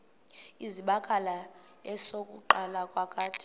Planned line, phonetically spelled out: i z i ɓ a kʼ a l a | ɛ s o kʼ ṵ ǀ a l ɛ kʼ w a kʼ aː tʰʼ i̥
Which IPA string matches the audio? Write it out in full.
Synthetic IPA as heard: i z i ɓ a kʼ a l a | ɛ s o kʼ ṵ ǃ a l a kʼ w a kʼ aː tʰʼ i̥